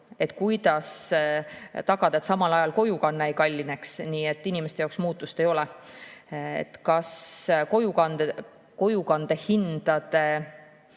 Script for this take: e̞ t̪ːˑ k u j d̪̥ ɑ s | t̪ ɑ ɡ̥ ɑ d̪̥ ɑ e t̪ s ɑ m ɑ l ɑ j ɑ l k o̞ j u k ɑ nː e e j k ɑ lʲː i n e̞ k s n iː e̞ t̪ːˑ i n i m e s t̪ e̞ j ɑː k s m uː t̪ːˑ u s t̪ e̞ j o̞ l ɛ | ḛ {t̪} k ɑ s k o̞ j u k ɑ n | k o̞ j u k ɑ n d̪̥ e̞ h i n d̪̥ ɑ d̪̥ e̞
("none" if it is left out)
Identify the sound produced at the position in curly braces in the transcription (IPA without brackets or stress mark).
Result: t̪